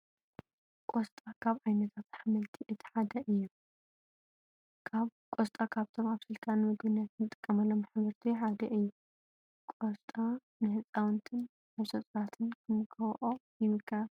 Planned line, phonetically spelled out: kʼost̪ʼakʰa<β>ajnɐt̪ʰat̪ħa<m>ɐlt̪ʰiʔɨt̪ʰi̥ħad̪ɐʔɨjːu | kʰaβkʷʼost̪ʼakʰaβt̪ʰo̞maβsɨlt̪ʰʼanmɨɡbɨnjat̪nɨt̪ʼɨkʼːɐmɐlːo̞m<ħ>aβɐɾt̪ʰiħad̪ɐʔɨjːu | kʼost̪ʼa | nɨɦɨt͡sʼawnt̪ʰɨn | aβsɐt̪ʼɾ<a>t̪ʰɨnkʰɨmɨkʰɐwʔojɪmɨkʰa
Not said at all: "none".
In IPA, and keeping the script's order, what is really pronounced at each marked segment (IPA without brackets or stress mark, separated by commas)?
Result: β, m, ħ, a